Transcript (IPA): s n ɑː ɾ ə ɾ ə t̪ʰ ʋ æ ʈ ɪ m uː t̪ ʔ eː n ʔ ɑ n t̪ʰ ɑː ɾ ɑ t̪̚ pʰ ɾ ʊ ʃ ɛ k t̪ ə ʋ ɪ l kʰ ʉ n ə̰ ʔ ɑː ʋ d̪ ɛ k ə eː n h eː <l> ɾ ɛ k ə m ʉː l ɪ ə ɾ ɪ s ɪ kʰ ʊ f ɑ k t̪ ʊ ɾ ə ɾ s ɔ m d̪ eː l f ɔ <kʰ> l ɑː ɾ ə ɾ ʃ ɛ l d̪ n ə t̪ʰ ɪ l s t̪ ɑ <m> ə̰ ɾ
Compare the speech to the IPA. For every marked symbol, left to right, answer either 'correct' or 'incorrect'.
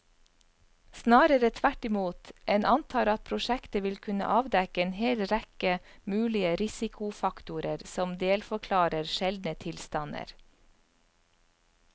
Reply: correct, correct, incorrect: n

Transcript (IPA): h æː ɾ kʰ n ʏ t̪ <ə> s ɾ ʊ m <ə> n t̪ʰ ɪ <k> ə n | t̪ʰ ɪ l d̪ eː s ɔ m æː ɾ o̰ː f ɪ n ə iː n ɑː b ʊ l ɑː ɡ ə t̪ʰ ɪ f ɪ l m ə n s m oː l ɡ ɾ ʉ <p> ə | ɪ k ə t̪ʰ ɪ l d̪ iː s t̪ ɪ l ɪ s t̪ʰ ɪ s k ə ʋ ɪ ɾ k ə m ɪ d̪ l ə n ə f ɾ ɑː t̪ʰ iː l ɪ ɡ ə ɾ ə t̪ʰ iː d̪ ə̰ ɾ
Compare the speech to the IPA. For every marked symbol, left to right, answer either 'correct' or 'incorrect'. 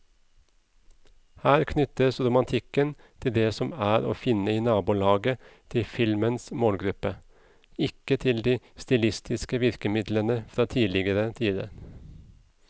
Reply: correct, incorrect: ɑ, correct, correct

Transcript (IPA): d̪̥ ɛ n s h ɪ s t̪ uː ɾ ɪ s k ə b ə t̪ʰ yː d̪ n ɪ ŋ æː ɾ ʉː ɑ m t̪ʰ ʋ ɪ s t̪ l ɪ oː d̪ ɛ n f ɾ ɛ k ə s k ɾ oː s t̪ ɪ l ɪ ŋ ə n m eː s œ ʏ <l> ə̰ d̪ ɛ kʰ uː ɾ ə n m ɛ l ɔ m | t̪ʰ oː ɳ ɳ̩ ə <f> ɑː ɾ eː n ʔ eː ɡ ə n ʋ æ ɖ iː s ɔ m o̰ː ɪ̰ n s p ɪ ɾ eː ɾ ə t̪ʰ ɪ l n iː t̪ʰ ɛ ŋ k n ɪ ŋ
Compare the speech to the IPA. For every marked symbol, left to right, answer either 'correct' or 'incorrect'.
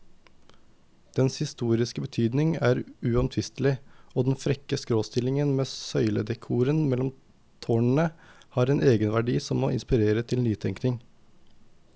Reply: correct, incorrect: h

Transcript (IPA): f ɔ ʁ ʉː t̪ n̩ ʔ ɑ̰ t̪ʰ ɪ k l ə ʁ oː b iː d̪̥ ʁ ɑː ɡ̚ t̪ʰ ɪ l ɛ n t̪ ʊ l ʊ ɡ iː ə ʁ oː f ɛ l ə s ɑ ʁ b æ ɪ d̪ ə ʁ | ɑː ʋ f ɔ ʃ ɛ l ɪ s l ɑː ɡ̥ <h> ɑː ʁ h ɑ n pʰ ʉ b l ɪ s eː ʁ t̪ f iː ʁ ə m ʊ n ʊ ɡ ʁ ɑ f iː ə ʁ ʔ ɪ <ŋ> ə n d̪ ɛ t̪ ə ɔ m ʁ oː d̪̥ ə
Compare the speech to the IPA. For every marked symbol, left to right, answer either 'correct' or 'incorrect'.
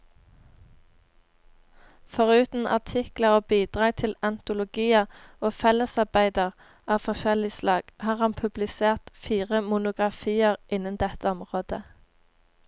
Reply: correct, incorrect: n

